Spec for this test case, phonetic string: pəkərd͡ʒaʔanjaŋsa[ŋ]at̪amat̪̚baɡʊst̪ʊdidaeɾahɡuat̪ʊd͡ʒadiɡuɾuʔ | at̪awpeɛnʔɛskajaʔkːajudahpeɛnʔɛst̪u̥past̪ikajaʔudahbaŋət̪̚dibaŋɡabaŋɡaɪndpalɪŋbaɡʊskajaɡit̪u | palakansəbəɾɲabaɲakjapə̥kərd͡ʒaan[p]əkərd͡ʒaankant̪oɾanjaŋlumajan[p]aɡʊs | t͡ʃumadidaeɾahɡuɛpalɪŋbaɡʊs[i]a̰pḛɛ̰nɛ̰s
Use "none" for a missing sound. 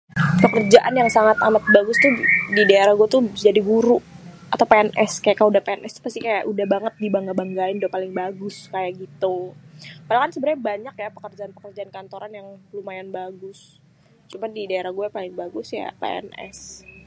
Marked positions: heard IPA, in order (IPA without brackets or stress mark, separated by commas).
ŋ, p, b, j